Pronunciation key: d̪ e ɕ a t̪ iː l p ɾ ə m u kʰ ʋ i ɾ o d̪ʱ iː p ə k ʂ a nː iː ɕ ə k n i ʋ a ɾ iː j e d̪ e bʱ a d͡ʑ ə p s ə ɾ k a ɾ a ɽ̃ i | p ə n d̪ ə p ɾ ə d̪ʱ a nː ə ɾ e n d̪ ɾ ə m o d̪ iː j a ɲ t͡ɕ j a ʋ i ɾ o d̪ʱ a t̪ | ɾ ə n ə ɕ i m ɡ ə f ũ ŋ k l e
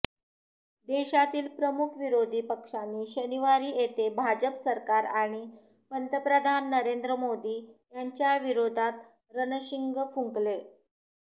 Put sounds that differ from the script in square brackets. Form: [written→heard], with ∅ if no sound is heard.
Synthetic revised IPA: d̪ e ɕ a t̪ iː l p ɾ ə m u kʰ ʋ i ɾ o d̪ʱ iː p ə k ʂ a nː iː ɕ ə [k→∅] n i ʋ a ɾ iː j e [d̪→t̪] e bʱ a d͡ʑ ə p s ə ɾ k a ɾ a ɽ̃ i | p ə n [d̪→t̪] ə p ɾ ə d̪ʱ a nː ə ɾ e n d̪ ɾ ə m o d̪ iː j a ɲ t͡ɕ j a ʋ i ɾ o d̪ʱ a t̪ | ɾ ə n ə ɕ i [m→ŋ] ɡ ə f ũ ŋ k l e